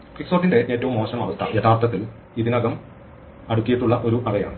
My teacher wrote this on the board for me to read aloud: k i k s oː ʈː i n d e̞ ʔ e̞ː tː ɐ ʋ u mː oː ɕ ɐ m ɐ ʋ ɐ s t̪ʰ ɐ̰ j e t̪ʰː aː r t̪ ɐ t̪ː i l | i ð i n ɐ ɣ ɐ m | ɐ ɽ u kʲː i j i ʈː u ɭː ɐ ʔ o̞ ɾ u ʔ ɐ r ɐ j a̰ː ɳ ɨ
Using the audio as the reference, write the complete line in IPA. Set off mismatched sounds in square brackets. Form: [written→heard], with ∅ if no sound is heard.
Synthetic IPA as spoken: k i k s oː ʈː i n d e̞ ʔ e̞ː tː ɐ ʋ u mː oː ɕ ɐ m ɐ ʋ ɐ s t̪ʰ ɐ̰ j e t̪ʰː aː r t̪ ɐ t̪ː i l | i ð i n ɐ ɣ ɐ m | ɐ ɽ u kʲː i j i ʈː u ɭː ɐ ʔ o̞ ɾ u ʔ ɐ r ɐ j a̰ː ɳ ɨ